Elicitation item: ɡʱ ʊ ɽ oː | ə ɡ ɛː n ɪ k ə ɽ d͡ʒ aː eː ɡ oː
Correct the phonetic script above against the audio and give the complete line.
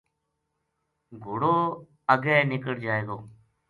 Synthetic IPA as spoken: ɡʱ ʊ ɽ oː | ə ɡ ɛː n ɪ k ə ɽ d͡ʒ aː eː ɡ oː